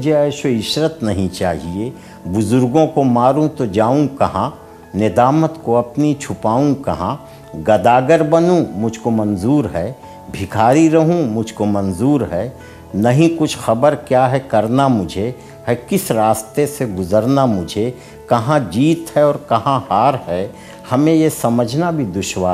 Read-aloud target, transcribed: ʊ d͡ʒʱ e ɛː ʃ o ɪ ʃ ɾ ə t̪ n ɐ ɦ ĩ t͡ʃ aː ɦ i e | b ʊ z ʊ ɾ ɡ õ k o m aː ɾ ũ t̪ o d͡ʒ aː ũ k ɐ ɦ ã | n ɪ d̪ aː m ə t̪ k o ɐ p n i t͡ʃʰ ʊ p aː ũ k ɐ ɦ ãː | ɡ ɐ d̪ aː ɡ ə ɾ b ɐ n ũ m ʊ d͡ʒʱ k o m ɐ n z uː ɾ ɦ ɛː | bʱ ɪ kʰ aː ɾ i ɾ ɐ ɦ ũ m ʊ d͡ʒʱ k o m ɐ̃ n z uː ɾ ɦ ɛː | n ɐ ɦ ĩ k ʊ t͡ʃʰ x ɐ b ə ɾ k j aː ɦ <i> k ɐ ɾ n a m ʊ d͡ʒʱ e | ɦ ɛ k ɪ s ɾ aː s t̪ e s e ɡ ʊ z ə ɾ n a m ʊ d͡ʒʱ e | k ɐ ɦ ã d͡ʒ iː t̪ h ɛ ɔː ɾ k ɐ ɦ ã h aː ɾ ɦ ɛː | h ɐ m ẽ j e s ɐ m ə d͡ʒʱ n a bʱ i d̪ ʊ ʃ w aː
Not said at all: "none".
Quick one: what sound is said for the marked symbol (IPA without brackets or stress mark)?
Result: ɛ